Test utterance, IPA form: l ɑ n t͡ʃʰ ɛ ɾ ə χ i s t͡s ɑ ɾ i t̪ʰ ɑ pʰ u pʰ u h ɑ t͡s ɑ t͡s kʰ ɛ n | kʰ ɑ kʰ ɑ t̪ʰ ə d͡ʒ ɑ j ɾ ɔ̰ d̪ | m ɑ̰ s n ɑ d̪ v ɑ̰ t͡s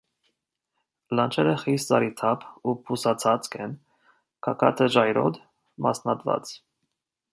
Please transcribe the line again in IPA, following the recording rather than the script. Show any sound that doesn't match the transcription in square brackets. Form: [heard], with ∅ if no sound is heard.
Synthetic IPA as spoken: l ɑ n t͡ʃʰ ɛ ɾ ə χ i s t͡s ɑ ɾ i t̪ʰ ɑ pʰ u pʰ u [s] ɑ [t͡sʰ] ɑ t͡s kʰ ɛ n | kʰ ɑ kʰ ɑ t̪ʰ ə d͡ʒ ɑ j ɾ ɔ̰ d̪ | m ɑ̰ s n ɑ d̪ v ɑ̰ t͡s